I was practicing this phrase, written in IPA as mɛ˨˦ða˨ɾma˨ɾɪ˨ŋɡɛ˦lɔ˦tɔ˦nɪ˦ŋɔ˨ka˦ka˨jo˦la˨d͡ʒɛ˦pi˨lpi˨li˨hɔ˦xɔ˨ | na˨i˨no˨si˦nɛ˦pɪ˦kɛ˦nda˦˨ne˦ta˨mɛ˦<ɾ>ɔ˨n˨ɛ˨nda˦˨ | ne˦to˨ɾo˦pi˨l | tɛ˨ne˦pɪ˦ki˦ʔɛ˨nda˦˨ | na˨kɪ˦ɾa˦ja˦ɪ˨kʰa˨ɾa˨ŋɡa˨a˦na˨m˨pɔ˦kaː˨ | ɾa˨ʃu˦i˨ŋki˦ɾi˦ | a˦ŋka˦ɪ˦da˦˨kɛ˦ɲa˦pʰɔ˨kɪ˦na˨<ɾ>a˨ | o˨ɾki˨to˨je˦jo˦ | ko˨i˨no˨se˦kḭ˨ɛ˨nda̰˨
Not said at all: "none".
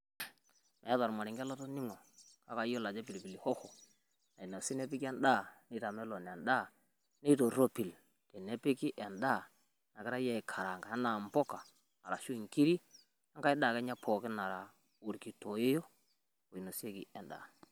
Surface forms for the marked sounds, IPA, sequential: l, ɾ

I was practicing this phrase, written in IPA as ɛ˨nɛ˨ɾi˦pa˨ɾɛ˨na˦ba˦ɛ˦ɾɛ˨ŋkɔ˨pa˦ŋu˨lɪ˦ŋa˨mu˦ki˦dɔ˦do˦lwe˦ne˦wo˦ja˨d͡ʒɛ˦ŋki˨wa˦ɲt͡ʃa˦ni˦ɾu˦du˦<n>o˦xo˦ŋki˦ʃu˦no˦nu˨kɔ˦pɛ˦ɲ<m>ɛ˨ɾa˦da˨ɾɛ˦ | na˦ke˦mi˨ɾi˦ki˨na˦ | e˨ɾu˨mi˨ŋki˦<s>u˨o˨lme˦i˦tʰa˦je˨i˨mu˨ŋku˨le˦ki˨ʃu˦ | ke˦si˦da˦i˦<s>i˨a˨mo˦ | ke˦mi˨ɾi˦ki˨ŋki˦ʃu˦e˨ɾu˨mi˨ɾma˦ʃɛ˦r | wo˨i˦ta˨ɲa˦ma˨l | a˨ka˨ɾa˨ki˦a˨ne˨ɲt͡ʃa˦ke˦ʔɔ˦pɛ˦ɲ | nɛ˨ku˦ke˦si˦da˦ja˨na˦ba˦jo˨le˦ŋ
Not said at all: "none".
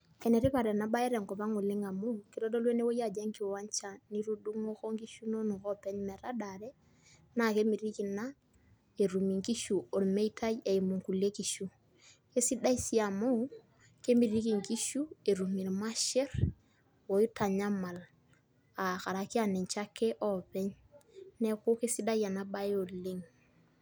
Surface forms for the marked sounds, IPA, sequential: ŋ, m, ʃ, s

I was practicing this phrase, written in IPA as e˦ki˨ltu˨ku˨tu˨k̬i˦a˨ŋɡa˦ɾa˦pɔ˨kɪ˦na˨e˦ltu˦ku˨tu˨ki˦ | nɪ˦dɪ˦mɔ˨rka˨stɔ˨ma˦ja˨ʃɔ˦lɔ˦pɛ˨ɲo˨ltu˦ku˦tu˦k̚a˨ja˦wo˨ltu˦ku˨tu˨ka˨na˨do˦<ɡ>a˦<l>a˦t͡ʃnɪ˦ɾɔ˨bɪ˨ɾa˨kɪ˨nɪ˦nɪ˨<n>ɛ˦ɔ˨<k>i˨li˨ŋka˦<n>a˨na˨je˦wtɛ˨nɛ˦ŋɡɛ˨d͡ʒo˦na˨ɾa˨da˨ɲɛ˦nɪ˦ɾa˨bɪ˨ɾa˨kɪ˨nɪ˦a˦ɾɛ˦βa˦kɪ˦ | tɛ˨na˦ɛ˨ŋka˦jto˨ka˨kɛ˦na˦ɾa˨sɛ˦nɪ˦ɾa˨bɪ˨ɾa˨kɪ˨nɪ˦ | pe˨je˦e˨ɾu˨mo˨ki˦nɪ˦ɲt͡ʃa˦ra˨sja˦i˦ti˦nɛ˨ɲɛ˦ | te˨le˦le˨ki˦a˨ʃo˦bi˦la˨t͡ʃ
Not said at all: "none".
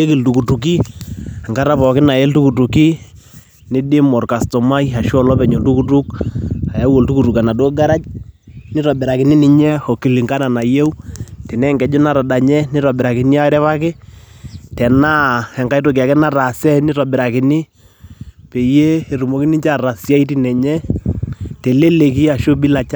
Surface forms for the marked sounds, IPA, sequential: ɡ, ɾ, ɲ, k, n

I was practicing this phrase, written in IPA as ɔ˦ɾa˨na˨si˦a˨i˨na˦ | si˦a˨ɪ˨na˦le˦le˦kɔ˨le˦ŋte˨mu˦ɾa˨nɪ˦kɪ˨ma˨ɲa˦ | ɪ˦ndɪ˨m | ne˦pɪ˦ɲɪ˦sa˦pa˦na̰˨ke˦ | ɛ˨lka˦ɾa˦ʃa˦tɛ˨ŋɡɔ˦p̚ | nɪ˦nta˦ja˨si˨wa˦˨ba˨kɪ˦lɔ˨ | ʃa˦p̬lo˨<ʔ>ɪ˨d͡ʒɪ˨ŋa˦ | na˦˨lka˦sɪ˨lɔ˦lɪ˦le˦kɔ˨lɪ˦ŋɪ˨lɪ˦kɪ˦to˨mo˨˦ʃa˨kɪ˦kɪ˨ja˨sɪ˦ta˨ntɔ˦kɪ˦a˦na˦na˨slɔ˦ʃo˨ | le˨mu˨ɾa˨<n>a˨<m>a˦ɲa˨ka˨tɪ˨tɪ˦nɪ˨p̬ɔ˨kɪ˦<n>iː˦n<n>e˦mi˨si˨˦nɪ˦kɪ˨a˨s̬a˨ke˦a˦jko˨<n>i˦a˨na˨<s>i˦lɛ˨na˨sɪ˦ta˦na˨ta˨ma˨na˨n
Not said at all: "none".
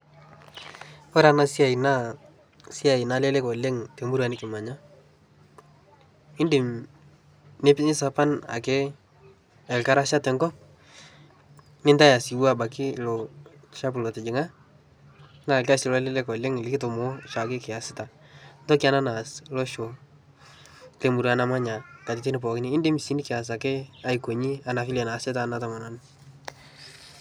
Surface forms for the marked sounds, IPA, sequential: t, n, m, n, d, ɲ, f

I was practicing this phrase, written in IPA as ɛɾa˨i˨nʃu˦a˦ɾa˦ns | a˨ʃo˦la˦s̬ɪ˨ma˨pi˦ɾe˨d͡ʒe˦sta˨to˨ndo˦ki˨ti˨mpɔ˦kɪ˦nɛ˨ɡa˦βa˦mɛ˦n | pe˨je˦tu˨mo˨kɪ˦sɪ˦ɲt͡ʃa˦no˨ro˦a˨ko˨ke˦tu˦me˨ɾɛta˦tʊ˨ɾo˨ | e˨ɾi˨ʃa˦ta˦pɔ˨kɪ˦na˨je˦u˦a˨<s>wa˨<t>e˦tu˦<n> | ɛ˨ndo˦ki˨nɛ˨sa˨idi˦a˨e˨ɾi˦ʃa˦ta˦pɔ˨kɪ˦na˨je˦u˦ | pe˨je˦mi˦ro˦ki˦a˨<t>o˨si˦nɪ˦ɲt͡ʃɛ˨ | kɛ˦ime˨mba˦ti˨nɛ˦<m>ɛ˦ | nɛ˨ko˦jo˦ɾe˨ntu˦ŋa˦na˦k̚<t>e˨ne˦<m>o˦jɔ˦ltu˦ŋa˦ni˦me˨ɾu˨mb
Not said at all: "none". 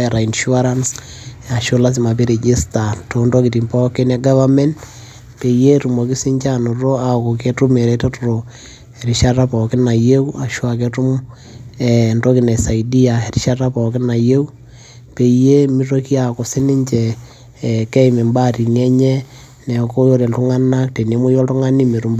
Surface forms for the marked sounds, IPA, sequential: ʃ, k, m, k, ɲ, t, m

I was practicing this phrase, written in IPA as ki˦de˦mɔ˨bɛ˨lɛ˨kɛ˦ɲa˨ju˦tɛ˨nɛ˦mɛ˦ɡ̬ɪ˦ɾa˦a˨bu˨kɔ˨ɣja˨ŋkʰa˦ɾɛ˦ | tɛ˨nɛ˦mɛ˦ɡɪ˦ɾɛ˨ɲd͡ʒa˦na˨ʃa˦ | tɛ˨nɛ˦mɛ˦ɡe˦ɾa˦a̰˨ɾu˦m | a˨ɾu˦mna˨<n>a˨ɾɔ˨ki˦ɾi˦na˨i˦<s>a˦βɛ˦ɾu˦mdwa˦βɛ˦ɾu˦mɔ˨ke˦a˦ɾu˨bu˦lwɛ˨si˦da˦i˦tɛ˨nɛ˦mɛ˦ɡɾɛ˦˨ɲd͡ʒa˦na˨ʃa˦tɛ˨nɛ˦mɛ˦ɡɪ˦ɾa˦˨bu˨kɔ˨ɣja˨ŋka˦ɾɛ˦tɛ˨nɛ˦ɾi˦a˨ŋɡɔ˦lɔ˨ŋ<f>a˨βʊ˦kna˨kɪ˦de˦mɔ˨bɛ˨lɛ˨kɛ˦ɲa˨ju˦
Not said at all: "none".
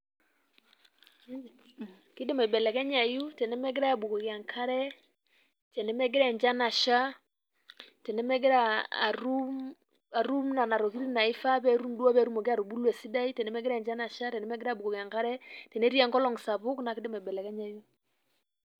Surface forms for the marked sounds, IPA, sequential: n, f, s

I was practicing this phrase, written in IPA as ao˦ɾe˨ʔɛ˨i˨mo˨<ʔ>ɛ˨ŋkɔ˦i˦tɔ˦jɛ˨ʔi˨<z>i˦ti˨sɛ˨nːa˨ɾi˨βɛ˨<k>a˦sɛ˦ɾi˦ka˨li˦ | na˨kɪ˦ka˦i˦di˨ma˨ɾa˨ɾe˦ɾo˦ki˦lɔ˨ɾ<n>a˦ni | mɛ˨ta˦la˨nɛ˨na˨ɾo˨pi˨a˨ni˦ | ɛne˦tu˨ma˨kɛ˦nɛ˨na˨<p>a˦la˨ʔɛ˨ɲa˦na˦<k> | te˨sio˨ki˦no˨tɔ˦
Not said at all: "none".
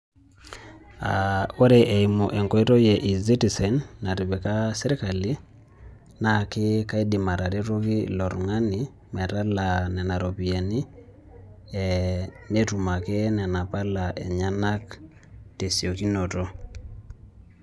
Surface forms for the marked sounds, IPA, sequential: ʔ, z, k, ŋ, p, k

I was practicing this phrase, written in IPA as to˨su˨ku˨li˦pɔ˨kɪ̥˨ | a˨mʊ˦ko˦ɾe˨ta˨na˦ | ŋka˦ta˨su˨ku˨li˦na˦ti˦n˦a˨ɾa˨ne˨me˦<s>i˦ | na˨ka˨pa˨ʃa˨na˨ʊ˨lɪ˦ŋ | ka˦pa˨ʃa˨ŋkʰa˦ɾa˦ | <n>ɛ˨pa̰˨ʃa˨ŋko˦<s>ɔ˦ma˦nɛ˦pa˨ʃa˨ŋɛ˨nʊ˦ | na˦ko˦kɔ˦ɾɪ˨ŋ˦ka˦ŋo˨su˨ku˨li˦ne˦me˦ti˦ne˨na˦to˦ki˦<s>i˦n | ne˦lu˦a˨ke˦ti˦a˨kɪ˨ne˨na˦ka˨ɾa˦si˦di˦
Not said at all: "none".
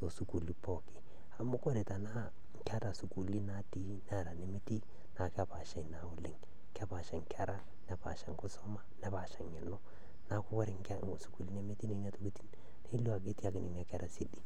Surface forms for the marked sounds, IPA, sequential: t, n, s, t

